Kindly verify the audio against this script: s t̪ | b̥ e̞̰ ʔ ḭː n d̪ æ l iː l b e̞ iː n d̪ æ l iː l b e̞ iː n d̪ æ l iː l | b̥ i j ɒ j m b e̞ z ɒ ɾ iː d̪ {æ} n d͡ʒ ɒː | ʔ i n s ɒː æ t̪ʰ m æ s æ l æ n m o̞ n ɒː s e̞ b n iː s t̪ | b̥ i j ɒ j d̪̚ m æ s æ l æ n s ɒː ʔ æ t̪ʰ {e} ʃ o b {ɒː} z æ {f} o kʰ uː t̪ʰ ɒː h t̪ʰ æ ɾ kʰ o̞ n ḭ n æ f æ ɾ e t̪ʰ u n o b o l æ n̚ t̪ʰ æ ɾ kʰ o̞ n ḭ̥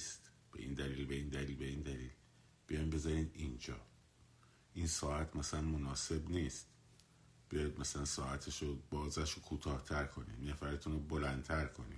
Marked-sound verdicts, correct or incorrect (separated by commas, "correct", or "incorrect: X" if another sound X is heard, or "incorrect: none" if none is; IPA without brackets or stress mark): incorrect: i, correct, correct, incorrect: ʃ